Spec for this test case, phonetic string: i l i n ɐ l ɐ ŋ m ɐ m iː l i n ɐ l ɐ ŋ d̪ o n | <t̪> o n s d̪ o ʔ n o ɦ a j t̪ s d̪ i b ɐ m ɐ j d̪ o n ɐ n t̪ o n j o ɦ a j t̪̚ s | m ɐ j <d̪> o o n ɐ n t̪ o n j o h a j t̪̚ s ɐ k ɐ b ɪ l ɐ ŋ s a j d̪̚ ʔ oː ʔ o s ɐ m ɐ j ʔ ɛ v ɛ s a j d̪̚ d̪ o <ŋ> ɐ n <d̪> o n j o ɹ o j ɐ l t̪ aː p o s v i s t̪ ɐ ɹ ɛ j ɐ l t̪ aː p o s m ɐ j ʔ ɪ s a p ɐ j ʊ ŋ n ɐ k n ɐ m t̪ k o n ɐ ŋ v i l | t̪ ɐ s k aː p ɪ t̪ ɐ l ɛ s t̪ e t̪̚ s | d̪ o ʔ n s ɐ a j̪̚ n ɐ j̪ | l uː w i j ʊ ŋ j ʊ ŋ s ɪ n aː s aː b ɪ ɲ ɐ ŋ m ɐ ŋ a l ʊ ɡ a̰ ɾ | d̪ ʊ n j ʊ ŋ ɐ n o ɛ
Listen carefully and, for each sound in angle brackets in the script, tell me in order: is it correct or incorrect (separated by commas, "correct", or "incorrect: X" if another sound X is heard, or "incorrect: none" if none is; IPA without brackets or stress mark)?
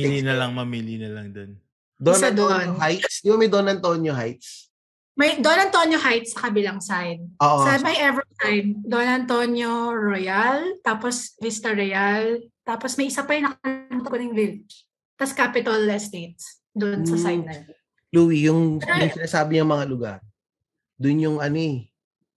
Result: incorrect: d̪, correct, incorrect: n, incorrect: t̪